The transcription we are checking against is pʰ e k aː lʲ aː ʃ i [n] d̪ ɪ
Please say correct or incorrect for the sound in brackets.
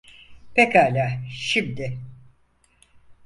incorrect